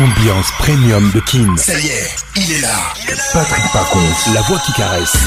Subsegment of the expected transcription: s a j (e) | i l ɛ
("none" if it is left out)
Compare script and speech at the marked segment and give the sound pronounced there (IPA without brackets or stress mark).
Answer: ɛ